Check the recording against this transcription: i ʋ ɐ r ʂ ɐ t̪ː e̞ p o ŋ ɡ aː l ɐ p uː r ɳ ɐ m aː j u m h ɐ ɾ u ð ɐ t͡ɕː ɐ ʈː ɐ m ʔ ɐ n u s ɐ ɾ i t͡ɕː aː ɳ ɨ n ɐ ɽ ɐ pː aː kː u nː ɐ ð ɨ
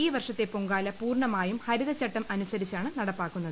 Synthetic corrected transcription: iː ʋ ɐ r ʂ ɐ t̪ː e̞ p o ŋ ɡ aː l ɐ p uː r ɳ ɐ m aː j u m h ɐ ɾ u ð ɐ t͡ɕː ɐ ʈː ɐ m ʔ ɐ n u s ɐ ɾ i t͡ɕː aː ɳ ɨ n ɐ ɽ ɐ pː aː kː u nː ɐ ð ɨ